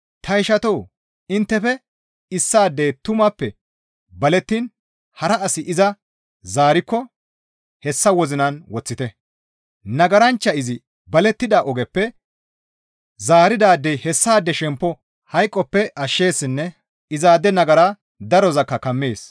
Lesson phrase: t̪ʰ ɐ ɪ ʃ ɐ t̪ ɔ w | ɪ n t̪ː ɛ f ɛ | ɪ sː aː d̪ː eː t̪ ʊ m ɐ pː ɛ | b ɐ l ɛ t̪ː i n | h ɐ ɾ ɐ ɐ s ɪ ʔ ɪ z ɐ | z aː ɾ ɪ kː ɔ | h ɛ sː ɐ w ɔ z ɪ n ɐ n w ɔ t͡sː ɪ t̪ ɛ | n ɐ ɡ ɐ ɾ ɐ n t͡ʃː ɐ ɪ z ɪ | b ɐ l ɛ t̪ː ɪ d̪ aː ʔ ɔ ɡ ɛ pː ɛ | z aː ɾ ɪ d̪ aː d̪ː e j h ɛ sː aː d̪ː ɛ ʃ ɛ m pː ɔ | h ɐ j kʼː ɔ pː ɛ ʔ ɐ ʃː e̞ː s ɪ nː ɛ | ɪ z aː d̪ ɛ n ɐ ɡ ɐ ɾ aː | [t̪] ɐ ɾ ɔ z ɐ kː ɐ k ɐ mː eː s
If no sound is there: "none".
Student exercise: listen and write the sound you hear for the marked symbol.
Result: d̪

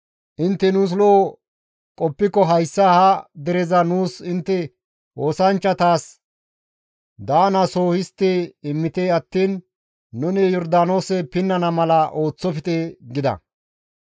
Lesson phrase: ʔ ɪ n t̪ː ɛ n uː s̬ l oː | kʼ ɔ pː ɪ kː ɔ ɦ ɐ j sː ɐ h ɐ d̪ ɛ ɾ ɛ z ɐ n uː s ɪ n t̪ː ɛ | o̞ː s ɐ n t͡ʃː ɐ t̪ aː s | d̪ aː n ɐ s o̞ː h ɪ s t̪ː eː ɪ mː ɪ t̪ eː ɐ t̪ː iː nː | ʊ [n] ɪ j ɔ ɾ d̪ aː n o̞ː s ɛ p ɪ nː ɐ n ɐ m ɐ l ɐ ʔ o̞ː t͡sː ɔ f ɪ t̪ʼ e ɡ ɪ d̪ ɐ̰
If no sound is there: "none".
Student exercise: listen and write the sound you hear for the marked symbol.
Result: n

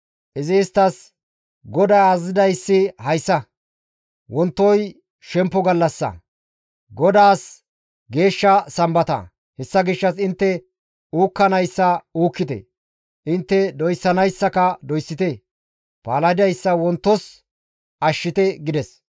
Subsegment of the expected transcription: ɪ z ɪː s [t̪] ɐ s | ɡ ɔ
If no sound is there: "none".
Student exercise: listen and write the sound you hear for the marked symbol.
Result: t̪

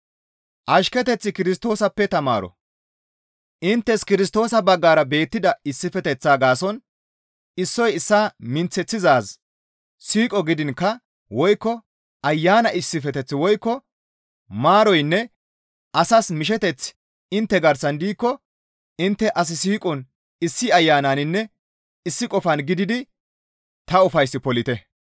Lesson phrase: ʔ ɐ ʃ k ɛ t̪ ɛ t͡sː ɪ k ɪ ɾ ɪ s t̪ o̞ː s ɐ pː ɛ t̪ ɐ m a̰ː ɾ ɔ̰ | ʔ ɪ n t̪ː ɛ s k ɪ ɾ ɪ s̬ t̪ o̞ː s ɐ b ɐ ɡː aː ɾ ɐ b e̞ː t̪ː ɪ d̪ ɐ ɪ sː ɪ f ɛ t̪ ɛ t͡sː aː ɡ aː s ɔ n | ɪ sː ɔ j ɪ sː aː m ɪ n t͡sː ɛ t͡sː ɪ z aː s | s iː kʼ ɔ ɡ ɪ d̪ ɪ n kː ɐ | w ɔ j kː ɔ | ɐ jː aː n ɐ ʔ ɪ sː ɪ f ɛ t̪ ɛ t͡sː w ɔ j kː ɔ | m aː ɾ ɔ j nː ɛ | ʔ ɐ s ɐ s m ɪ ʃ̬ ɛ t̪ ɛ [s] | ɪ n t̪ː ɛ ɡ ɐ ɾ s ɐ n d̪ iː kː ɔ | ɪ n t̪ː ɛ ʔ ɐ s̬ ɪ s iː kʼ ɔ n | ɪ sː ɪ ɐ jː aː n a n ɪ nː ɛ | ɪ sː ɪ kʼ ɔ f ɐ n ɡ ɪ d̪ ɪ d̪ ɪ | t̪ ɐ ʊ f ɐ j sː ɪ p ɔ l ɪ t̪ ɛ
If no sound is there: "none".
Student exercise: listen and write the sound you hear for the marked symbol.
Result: t͡s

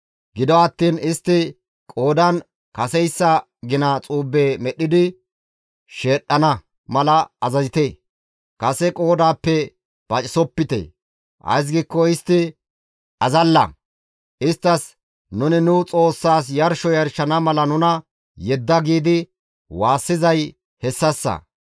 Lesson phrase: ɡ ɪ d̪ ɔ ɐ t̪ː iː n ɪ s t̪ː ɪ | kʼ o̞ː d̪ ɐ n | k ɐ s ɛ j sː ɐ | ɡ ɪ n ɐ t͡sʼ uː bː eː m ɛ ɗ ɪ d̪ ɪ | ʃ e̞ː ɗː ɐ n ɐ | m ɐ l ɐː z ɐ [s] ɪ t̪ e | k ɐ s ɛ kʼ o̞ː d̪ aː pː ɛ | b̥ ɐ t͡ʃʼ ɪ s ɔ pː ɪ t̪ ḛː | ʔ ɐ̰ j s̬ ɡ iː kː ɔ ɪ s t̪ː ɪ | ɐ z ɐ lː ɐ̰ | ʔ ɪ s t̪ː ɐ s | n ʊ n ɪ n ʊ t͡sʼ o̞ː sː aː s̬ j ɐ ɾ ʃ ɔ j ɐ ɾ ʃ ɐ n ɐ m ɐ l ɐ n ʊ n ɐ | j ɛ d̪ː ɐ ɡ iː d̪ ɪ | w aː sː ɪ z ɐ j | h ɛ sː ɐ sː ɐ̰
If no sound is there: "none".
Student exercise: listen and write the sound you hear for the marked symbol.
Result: z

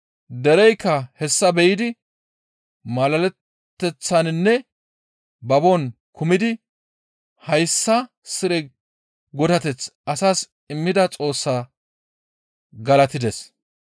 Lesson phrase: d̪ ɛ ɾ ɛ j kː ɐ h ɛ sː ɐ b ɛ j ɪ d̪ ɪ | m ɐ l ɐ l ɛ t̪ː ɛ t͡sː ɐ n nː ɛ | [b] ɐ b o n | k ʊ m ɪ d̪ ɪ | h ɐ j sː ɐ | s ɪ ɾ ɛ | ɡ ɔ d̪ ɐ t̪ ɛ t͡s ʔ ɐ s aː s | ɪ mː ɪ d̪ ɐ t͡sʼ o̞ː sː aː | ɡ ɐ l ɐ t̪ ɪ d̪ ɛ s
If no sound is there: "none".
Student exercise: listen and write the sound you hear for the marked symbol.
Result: b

